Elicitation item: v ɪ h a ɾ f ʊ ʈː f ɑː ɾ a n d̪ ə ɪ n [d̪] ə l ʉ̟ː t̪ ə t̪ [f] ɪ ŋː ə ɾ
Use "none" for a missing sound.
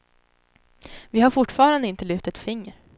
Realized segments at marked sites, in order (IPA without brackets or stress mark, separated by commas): t̪, f